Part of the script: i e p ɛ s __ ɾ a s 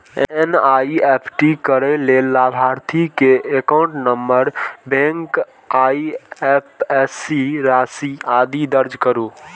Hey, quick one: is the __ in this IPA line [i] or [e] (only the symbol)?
i